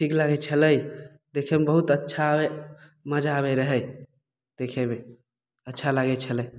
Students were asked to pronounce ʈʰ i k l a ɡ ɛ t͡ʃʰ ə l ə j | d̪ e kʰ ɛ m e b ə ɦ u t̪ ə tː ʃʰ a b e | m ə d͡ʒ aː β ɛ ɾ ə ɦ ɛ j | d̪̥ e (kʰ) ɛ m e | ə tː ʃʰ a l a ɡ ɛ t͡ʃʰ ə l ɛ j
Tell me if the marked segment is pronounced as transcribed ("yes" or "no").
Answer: yes